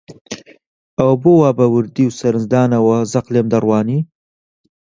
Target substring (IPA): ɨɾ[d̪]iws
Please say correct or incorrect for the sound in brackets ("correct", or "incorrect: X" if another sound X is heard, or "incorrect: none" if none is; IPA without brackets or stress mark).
correct